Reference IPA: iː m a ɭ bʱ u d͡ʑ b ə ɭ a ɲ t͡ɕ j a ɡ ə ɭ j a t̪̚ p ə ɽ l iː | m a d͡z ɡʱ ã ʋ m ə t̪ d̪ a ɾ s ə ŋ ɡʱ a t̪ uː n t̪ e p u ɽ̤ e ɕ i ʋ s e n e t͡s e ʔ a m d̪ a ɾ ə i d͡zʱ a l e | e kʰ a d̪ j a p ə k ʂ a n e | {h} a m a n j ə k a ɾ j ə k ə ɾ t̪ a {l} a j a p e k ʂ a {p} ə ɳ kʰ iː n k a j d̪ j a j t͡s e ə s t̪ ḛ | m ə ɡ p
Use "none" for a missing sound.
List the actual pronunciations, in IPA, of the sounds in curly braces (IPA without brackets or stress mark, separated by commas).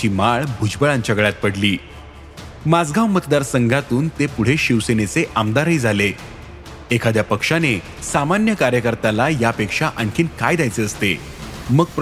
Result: s, l, ʔ